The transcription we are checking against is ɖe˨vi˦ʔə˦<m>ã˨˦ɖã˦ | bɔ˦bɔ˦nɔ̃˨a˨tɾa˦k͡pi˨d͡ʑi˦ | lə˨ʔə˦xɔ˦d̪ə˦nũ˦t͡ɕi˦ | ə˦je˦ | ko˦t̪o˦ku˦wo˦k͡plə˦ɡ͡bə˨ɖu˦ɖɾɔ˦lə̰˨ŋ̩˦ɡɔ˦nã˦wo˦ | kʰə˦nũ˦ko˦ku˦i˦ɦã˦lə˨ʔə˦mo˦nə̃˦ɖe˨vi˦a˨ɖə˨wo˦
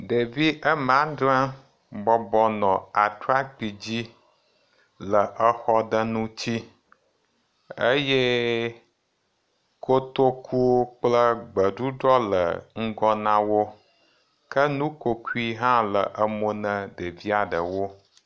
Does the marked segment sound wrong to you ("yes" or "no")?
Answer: no